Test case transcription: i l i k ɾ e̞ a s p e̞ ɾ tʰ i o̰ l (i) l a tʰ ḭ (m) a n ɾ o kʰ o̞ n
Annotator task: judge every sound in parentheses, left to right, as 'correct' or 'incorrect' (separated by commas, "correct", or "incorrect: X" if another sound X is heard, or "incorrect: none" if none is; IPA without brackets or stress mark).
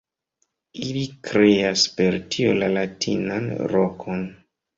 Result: incorrect: a, incorrect: n